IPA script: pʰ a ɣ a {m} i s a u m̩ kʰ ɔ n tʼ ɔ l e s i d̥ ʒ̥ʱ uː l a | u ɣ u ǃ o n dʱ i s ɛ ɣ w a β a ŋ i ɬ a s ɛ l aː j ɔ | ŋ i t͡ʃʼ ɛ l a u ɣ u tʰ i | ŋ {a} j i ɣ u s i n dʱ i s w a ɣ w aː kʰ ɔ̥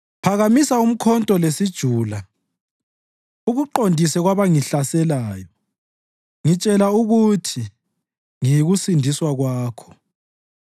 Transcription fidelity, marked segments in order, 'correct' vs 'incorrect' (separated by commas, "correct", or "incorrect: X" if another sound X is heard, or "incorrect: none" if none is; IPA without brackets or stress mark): correct, incorrect: i